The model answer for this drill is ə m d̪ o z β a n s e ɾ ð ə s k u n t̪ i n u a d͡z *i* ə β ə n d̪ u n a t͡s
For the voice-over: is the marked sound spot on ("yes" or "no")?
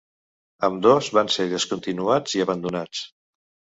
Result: yes